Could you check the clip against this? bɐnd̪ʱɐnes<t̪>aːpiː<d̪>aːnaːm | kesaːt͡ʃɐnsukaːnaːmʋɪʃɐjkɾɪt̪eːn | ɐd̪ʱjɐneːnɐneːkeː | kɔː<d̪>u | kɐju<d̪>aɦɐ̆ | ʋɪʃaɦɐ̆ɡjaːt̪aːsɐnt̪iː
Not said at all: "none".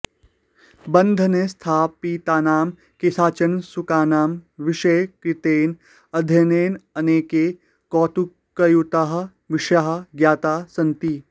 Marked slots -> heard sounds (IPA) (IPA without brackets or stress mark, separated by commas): t̪ʰ, t̪, t̪, t̪